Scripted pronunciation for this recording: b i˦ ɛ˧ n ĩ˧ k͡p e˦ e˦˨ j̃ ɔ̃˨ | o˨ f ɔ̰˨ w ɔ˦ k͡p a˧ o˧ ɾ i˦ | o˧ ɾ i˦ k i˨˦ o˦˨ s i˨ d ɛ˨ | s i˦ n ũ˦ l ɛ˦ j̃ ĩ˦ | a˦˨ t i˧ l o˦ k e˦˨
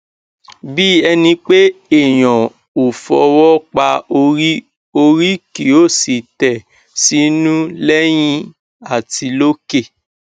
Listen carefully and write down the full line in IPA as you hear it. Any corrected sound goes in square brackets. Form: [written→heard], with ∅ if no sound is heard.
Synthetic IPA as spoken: b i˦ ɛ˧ n ĩ˧ k͡p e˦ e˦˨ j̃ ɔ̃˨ | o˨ f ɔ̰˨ w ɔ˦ k͡p a˧ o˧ ɾ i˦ | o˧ ɾ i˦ k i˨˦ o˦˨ s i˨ [d→t] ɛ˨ | s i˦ n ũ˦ l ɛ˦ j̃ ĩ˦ | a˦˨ t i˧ l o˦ k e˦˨